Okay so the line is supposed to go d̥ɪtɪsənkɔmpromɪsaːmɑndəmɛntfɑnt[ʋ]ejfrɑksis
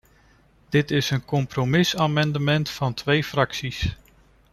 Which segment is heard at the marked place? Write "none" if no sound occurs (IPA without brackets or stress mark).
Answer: ʋ